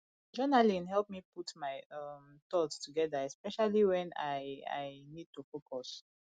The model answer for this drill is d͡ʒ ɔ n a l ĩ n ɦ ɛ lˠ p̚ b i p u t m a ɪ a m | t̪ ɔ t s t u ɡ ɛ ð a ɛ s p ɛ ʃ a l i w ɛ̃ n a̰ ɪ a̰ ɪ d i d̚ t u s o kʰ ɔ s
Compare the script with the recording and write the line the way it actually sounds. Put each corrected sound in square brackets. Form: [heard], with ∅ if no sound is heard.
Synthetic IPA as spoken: d͡ʒ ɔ n a l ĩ n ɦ ɛ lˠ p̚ [m] i p u t m a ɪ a m | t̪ ɔ t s t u ɡ ɛ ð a ɛ s p ɛ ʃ a l i w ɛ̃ n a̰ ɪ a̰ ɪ [n] i d̚ t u [f] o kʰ ɔ s